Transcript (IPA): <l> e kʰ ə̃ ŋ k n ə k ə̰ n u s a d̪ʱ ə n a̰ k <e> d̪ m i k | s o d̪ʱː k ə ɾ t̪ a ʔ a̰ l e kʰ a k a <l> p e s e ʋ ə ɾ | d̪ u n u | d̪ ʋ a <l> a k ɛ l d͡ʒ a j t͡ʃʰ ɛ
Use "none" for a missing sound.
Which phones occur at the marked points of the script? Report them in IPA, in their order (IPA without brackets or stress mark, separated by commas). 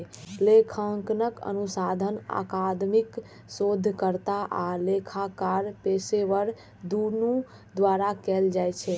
l, a, ɾ, ɾ